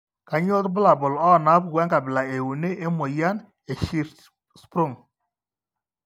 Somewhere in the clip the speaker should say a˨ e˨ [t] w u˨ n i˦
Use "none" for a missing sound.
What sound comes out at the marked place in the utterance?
none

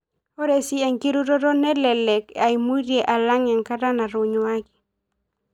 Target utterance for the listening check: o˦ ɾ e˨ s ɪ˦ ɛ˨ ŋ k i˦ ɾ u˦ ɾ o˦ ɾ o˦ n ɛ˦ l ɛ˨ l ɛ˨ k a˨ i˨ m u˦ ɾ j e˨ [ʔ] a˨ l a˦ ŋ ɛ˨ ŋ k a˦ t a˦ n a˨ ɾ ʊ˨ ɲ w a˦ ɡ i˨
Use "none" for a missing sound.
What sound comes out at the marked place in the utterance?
ʔ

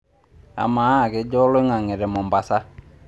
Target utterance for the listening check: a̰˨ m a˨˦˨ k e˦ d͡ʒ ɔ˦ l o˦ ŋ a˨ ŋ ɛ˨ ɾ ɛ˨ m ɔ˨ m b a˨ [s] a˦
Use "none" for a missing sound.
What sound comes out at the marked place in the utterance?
s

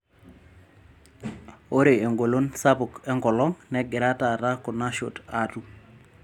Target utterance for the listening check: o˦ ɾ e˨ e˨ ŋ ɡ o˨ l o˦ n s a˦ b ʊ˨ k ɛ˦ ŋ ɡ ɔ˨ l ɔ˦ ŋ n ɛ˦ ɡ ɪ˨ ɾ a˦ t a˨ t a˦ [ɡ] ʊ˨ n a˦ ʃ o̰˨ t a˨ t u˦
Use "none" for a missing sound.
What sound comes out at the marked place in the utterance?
k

